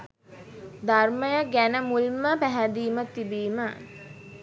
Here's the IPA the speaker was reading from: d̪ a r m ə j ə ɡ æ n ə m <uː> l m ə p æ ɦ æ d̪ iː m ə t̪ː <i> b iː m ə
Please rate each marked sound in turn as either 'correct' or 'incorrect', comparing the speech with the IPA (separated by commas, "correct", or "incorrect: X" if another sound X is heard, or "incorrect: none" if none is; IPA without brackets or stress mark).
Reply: incorrect: u, correct